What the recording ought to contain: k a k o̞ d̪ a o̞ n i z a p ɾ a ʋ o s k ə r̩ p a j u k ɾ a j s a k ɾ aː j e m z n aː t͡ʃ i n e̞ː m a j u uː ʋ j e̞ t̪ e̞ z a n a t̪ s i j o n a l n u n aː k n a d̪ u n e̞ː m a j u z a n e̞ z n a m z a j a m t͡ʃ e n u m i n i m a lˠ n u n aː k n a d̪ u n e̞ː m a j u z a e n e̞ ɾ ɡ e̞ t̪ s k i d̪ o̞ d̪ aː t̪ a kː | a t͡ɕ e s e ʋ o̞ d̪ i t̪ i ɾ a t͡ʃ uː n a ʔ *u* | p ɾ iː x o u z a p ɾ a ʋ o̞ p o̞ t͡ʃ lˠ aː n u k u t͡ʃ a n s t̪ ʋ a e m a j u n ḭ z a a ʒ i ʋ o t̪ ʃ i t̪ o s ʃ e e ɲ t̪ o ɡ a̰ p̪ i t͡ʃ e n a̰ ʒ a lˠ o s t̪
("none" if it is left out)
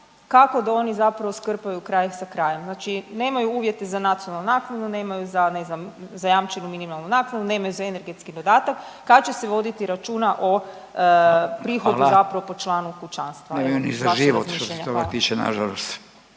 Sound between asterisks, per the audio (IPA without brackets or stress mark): o